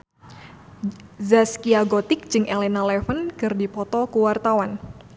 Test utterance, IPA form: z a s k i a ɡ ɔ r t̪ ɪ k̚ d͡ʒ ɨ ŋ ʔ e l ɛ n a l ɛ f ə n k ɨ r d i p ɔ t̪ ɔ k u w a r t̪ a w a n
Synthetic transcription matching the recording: z a s k i a ɡ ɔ t̪ ɪ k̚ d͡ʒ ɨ ŋ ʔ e l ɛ n a l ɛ f ə n k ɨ r d i p ɔ t̪ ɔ k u w a r t̪ a w a n